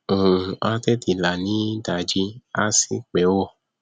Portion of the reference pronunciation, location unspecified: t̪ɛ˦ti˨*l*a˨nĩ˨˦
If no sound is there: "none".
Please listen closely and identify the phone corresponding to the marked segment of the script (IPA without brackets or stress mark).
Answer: l